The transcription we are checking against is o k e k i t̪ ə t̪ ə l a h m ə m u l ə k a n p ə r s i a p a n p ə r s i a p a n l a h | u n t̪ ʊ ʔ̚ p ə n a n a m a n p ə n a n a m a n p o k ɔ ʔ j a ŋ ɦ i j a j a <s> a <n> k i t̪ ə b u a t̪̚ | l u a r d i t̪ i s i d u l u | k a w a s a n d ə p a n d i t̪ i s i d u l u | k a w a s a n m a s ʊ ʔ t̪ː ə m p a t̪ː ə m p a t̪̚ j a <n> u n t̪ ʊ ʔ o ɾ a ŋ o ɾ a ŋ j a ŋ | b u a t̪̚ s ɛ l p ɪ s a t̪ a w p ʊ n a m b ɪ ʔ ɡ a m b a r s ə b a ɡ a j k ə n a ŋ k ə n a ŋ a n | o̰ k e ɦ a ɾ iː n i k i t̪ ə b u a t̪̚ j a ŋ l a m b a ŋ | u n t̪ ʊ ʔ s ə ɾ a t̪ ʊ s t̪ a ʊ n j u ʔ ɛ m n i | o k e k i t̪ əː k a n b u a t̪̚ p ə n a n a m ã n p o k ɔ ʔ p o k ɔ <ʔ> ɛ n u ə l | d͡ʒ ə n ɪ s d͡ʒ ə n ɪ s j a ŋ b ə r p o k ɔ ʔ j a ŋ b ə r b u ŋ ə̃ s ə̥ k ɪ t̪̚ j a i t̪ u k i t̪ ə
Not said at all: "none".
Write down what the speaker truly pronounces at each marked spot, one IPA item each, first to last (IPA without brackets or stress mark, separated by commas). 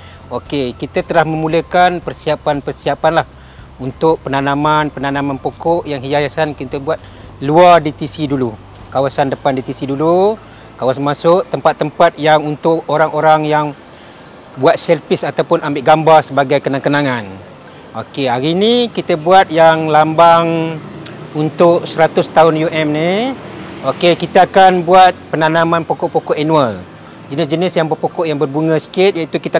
s, n, ŋ, ʔ